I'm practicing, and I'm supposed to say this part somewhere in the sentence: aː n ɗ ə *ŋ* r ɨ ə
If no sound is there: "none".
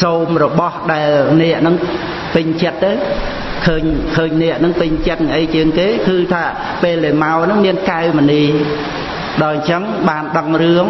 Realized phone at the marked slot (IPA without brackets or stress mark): ŋ